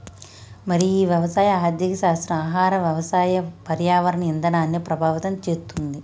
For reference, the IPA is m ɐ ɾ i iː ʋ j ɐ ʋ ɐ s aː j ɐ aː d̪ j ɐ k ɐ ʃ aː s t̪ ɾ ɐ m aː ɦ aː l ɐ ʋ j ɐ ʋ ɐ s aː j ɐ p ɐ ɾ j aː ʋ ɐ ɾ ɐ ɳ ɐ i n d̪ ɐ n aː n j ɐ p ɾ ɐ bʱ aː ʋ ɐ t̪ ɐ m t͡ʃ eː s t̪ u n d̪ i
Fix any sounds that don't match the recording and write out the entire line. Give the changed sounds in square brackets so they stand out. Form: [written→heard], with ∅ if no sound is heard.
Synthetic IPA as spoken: m ɐ ɾ i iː ʋ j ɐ ʋ ɐ s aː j ɐ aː d̪ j ɐ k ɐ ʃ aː s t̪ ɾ ɐ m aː ɦ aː [l→ɾ] ɐ ʋ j ɐ ʋ ɐ s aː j ɐ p ɐ ɾ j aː ʋ ɐ ɾ ɐ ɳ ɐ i n d̪ ɐ n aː n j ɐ p ɾ ɐ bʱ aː ʋ ɐ t̪ ɐ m t͡ʃ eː s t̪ u n d̪ i